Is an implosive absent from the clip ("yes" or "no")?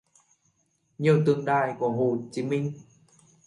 no